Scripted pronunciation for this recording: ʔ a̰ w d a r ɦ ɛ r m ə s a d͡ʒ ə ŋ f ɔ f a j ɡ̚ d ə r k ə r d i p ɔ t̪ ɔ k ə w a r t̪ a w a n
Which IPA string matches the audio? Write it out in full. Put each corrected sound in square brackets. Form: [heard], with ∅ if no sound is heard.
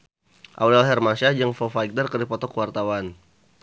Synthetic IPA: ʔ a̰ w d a [l] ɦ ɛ r m [a] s a d͡ʒ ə ŋ f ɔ f a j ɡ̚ d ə r k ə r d i p ɔ t̪ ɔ k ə w a r t̪ a w a n